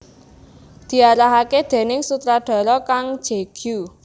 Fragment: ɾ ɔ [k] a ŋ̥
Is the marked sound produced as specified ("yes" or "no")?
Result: yes